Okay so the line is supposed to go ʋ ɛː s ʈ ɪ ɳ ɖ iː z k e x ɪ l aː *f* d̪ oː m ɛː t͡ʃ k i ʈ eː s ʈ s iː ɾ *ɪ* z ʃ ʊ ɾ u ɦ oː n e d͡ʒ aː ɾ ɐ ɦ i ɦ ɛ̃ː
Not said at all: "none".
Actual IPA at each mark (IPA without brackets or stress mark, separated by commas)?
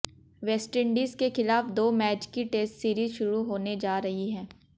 f, i